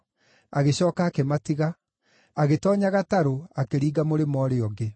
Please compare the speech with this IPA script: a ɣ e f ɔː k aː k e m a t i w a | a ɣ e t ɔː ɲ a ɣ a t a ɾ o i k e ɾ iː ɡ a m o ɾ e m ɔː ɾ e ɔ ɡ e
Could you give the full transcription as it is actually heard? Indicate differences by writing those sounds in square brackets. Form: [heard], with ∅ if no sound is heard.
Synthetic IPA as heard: a ɣ e [ɕ] ɔː k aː k e m a t i [ɣ] a | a ɣ e t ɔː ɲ a ɣ a t a ɾ o [a] k e ɾ iː ɡ a m o ɾ e m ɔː ɾ e ɔ ɡ e